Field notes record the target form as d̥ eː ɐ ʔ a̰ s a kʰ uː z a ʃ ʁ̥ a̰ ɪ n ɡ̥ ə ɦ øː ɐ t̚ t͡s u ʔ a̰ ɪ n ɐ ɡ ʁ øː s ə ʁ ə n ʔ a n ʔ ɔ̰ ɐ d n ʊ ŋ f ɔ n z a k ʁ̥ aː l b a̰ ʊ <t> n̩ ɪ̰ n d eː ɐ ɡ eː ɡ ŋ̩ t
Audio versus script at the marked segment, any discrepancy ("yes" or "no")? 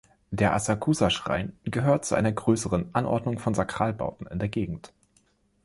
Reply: no